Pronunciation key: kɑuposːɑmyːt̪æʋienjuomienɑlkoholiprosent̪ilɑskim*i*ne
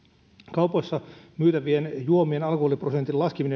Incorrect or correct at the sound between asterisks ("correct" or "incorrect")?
correct